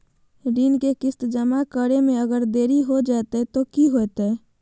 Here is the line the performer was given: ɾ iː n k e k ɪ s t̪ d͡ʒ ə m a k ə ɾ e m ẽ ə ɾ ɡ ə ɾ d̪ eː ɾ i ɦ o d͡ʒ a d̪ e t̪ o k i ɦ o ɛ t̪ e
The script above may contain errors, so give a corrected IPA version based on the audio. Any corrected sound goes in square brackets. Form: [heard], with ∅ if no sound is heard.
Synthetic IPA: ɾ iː n k e k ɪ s t̪ d͡ʒ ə m a k ə ɾ e m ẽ ə [∅] ɡ ə ɾ d̪ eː ɾ i ɦ o d͡ʒ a [t̪] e t̪ o k i ɦ o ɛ t̪ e